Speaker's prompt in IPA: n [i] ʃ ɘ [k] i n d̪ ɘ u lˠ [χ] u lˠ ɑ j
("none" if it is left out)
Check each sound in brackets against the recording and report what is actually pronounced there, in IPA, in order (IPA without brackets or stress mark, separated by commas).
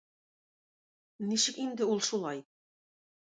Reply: i, k, ʃ